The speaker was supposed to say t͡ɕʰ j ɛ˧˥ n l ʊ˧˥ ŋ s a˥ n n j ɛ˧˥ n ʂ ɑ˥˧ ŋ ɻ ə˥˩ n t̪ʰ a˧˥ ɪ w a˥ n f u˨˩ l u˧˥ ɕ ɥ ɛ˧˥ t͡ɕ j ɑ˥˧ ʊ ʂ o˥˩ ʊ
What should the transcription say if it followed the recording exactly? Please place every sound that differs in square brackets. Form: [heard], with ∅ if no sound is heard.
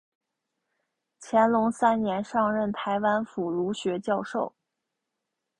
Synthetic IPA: t͡ɕʰ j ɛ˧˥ n l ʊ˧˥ ŋ s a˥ n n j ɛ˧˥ n ʂ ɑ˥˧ ŋ ɻ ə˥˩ n t̪ʰ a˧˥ ɪ w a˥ n f u˨˩ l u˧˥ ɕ ɥ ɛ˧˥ t͡ɕ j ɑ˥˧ ʊ ʂ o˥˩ ʊ